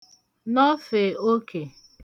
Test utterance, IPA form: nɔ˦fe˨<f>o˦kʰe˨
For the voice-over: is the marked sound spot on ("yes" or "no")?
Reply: no